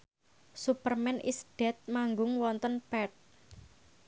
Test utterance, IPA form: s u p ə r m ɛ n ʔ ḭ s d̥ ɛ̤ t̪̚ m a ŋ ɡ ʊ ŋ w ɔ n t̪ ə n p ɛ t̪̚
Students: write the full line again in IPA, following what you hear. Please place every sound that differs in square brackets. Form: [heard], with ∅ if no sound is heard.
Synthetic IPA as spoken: s u p ə r m ɛ n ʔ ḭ s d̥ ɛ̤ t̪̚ m a ŋ ɡ ʊ ŋ w ɔ n t̪ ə n p ɛ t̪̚

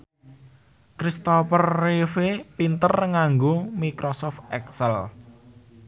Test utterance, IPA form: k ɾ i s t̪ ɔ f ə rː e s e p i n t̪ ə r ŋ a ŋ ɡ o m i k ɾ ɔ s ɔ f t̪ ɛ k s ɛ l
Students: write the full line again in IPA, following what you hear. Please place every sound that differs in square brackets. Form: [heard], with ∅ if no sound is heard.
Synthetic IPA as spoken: k ɾ i s t̪ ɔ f ə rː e [f] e p i n t̪ ə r ŋ a ŋ ɡ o m i k ɾ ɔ s ɔ f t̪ ɛ k s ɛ l

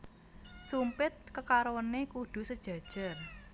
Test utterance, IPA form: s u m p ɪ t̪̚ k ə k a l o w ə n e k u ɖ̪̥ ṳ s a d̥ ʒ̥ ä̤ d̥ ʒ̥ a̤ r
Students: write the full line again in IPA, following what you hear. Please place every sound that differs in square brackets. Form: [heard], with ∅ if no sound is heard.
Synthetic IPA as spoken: s u m p ɪ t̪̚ k ə k a [ɾ] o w ə n e k u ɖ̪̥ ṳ s [ə] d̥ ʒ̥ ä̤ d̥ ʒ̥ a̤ r

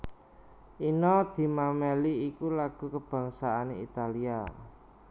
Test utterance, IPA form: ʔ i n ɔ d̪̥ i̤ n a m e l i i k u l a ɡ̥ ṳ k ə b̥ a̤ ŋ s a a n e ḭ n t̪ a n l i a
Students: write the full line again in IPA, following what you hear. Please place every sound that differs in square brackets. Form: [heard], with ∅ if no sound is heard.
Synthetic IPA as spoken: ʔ i n ɔ d̪̥ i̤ [m] a m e l i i k u l a ɡ̥ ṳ k ə b̥ a̤ ŋ s a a n e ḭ [∅] t̪ a [∅] l i a

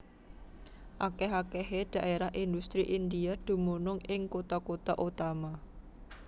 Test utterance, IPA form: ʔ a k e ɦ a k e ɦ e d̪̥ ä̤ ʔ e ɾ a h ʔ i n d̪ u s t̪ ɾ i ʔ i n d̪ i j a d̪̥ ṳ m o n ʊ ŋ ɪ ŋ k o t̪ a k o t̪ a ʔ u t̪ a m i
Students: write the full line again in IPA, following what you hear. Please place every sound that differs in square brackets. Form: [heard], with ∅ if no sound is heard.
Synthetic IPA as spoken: ʔ a k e ɦ a k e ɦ e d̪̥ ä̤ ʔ e ɾ a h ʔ i n d̪ u s t̪ ɾ i ʔ i n d̪ i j a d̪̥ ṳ m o n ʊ ŋ ɪ ŋ k o t̪ a k o t̪ a ʔ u t̪ a m [a]

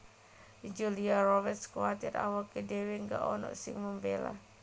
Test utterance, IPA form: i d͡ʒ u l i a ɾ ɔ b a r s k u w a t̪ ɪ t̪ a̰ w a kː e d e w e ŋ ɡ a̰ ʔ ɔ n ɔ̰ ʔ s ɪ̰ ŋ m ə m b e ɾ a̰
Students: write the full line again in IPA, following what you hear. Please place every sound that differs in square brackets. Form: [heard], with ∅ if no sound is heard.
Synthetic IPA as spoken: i d͡ʒ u l i a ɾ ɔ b [ɛ] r s k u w a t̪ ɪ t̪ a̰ w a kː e d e w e ŋ ɡ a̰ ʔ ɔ n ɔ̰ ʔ s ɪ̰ ŋ m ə m b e [l] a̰

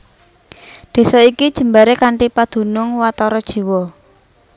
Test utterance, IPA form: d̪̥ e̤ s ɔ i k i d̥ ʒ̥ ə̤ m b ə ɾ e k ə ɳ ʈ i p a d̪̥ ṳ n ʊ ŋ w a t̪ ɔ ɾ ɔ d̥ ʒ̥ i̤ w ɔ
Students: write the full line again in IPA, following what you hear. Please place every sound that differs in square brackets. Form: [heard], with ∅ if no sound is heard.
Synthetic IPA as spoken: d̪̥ e̤ s ɔ i k i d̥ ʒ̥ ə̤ m b [a] ɾ e k [a] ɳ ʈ i p a d̪̥ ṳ n ʊ ŋ w a t̪ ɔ ɾ ɔ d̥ ʒ̥ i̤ w ɔ

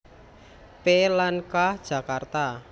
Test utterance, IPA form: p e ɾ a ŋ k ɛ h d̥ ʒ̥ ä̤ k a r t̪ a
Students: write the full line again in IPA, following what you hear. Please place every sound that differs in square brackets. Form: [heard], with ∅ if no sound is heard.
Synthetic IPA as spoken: p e [l] a [n] k [a] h d̥ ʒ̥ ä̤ k a r t̪ a

